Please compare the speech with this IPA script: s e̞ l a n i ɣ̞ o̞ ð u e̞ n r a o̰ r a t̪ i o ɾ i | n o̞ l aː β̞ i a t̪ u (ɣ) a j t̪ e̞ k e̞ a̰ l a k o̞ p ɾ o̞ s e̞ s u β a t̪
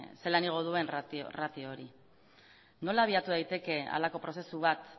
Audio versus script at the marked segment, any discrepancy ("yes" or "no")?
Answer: yes